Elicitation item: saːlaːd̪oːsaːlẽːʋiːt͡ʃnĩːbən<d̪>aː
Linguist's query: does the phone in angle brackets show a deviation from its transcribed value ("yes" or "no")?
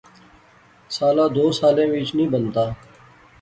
yes